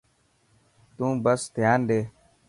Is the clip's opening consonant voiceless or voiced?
voiceless